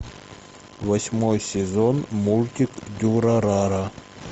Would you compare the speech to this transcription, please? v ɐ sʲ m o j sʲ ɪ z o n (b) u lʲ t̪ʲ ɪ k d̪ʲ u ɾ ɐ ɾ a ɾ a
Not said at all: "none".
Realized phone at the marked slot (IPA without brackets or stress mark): m